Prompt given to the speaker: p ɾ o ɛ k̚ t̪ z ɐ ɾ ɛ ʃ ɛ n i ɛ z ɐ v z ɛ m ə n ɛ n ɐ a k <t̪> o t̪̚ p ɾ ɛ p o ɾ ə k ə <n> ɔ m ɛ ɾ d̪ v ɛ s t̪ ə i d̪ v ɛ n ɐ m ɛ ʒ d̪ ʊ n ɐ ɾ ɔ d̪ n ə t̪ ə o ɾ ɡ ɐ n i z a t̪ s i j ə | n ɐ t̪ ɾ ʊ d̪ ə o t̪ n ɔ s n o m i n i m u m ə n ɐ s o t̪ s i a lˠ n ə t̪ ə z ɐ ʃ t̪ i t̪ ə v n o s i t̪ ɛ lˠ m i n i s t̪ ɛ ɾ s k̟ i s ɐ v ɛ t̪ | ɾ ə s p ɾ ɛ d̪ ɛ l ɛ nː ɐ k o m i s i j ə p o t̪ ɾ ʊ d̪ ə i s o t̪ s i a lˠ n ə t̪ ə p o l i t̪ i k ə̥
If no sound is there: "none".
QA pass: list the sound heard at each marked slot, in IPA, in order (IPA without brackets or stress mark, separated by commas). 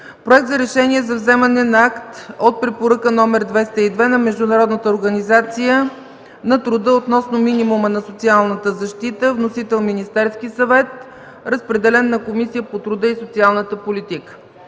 t̪, n